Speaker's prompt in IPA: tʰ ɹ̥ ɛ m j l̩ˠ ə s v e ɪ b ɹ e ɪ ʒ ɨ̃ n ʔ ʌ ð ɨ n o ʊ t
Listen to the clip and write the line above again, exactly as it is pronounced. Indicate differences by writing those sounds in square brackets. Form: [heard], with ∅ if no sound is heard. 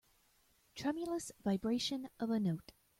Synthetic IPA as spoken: tʰ ɹ̥ ɛ m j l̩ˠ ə s v [a] ɪ b ɹ e ɪ [ʃ] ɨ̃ n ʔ ʌ [v] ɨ n o ʊ t